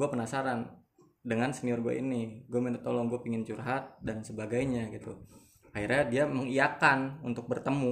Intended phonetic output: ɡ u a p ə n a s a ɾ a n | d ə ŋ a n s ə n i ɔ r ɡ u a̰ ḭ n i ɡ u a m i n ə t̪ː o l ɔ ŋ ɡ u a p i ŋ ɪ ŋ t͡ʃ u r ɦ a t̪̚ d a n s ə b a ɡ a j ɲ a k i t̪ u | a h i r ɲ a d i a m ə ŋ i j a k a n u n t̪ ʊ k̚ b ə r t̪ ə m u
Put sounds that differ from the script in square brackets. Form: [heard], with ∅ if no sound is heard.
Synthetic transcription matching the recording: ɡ u a p ə n a s a ɾ a n | d ə ŋ a n s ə n i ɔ r ɡ u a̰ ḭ n i ɡ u a m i n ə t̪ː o l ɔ ŋ ɡ u a p i ŋ ɪ [n] t͡ʃ u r ɦ a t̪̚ d a n s ə b a ɡ a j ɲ a [ɡ] i t̪ u | a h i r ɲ a d i a m ə ŋ i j a k a n u n t̪ ʊ k̚ b ə r t̪ ə m u